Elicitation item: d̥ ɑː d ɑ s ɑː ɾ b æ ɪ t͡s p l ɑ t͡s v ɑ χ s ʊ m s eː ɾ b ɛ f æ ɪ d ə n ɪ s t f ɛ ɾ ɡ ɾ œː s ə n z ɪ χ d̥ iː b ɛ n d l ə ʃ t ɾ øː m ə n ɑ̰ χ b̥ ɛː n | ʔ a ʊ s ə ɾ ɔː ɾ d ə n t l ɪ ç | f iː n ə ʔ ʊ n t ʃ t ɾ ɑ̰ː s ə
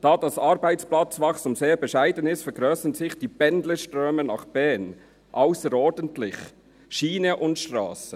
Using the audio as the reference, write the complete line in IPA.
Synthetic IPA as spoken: d̥ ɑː d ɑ s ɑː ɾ b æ ɪ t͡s p l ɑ t͡s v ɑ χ s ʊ m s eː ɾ b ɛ ʃ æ ɪ d ə n ɪ s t f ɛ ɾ ɡ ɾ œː s ə n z ɪ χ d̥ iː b ɛ n d l ə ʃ t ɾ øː m ə n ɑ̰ χ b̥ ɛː n | ʔ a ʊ s ə ɾ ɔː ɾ d ə n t l ɪ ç | ʃ iː n ə ʔ ʊ n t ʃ t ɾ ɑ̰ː s ə